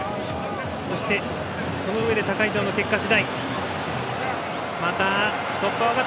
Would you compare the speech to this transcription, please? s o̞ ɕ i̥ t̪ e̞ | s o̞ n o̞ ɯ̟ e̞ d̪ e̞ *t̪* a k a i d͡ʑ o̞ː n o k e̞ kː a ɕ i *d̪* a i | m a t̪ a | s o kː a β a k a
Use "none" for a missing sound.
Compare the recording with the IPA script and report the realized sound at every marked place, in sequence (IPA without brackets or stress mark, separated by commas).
t̪, d̪